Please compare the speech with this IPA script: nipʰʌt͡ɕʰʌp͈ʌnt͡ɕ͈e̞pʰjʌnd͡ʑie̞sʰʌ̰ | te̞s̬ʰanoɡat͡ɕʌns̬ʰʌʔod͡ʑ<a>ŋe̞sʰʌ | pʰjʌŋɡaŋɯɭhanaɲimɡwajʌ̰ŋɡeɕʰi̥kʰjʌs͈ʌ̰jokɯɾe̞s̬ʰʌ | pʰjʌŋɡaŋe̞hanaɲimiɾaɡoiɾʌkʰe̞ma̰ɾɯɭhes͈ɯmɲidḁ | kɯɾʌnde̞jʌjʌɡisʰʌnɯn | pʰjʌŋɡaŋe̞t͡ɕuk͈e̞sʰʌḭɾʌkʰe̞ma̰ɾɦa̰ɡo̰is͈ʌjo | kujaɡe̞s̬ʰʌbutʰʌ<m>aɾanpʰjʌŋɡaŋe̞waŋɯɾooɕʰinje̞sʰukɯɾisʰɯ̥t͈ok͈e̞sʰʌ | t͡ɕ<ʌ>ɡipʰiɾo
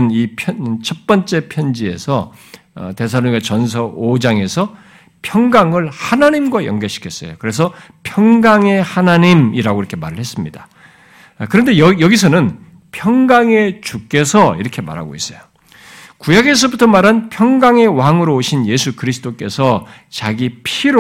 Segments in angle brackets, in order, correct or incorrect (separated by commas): correct, correct, incorrect